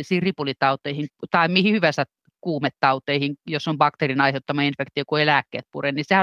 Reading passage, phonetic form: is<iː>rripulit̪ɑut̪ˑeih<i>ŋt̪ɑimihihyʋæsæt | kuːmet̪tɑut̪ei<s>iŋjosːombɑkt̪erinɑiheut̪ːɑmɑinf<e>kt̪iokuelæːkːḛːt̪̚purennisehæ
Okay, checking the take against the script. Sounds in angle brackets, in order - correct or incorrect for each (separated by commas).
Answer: correct, correct, incorrect, correct